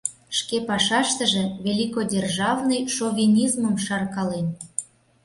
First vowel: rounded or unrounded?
unrounded